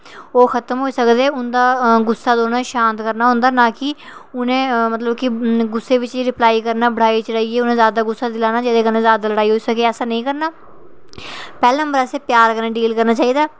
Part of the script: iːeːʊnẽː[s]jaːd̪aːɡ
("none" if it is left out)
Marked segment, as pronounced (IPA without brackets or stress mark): z